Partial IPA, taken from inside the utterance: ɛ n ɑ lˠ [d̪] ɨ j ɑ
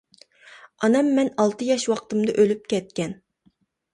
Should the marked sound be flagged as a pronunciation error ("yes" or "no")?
yes